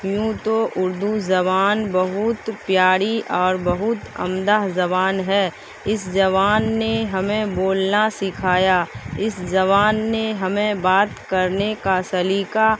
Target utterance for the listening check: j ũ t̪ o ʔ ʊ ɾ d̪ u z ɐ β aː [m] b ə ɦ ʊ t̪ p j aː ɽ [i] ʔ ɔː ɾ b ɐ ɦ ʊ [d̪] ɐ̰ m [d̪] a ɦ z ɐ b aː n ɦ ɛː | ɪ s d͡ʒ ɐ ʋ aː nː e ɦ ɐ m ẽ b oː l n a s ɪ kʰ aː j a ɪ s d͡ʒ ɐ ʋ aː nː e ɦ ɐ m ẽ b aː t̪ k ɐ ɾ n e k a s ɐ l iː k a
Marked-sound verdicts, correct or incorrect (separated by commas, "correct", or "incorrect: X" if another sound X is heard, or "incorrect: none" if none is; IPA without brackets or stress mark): incorrect: n, correct, incorrect: t̪, correct